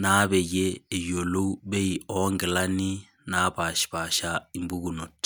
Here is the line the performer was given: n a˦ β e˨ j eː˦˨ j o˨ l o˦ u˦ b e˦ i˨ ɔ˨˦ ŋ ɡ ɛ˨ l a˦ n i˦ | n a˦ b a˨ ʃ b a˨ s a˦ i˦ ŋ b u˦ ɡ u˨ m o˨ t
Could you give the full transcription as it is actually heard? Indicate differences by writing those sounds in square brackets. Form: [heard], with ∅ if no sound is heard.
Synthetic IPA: n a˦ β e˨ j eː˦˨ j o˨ l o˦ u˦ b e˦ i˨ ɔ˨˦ ŋ ɡ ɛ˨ l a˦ n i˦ | n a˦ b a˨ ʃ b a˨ [ʃ] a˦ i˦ [m] b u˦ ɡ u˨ [n] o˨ t